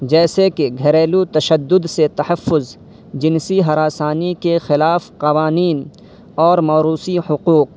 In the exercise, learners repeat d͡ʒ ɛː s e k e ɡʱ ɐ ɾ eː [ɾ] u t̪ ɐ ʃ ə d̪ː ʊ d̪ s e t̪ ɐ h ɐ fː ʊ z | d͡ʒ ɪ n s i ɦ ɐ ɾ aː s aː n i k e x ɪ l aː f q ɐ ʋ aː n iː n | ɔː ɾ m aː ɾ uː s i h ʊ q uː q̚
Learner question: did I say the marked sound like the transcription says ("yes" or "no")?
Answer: no